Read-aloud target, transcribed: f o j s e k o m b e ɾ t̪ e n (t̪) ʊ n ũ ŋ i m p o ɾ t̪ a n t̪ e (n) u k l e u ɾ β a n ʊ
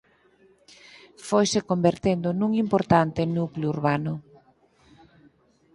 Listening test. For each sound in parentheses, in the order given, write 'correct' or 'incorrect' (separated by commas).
incorrect, correct